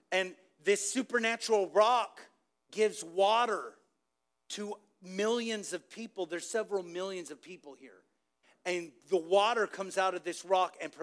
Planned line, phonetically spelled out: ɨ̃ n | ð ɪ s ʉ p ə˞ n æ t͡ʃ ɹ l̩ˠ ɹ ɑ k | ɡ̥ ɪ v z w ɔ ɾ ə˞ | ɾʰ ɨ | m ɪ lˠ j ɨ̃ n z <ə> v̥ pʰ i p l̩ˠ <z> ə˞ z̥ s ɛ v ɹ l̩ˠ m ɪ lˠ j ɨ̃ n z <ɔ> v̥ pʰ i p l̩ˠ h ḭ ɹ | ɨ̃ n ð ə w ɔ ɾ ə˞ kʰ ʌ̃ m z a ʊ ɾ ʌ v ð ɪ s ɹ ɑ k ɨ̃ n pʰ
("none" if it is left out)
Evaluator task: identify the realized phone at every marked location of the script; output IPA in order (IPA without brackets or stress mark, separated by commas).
ʌ, ð, ʌ